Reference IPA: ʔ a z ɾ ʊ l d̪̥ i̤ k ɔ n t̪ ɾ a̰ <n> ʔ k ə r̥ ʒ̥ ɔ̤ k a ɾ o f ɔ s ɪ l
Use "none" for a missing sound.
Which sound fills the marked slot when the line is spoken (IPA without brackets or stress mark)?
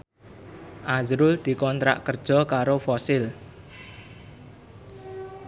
none